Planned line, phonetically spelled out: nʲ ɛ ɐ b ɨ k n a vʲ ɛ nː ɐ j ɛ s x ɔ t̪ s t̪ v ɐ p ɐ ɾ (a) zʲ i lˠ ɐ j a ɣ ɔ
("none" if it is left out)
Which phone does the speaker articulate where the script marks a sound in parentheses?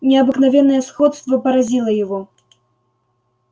a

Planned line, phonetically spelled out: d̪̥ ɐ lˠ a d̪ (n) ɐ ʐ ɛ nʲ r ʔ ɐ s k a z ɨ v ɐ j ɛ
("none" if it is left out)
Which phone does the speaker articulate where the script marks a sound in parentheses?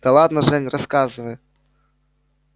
n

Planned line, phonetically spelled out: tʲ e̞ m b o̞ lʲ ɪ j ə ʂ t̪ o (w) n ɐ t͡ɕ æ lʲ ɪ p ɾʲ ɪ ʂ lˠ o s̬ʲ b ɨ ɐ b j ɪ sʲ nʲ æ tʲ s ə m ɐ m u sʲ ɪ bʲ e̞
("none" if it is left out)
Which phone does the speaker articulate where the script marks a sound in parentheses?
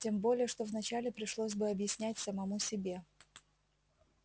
v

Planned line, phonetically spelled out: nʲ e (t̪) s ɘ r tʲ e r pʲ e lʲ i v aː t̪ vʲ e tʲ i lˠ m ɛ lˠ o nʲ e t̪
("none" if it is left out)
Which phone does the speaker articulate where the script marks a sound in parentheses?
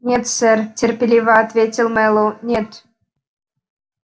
t̪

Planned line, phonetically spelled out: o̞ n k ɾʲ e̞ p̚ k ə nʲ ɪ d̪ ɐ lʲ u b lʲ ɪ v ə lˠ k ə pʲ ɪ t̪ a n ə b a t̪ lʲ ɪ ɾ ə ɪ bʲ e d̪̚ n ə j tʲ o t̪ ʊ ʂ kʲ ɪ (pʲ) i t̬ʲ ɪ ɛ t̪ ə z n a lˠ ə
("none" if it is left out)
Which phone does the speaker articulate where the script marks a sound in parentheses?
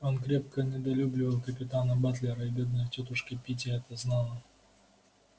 pʲ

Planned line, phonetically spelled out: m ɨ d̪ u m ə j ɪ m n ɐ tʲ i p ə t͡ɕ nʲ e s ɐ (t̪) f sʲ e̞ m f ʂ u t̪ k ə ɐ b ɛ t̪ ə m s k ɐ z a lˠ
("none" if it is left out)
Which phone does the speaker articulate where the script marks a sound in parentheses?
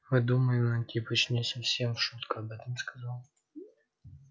none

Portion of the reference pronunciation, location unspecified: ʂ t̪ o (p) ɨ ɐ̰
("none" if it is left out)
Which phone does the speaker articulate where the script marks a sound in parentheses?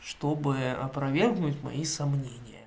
b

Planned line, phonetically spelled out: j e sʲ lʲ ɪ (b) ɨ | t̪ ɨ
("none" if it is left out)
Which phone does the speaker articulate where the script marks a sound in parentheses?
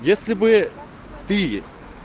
b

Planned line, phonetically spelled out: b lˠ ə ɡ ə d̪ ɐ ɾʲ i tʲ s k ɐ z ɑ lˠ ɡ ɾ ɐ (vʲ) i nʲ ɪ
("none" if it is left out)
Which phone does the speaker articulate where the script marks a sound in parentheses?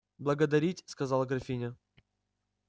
fʲ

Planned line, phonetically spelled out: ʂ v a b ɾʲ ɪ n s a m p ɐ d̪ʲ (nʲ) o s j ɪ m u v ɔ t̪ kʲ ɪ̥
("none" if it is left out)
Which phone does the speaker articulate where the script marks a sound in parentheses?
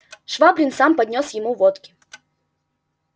nʲ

